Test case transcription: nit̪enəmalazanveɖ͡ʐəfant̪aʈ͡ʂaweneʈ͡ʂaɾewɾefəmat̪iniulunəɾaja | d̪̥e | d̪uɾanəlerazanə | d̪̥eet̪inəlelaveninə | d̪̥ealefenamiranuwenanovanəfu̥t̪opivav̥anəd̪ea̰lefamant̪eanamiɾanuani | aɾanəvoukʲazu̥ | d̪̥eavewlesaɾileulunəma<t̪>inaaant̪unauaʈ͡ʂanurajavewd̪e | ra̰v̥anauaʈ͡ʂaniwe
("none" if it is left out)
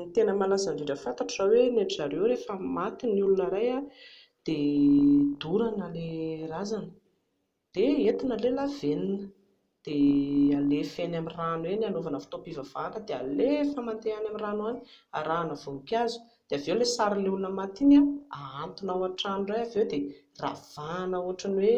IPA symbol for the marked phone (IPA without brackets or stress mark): t̪